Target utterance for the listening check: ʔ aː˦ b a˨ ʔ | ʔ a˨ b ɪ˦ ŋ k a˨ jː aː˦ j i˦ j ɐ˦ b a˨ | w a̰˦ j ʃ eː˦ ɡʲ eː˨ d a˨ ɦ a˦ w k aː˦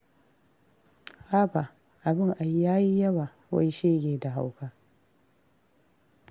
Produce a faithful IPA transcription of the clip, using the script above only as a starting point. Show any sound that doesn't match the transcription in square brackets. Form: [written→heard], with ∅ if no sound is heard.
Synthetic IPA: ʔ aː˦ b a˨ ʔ | ʔ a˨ b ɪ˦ ŋ [k→ʔ] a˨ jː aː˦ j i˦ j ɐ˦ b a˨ | w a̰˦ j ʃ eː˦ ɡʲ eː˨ d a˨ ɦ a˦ w k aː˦